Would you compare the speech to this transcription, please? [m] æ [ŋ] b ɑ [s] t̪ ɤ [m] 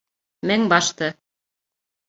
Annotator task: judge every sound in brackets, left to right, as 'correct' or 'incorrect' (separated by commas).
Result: correct, correct, incorrect, incorrect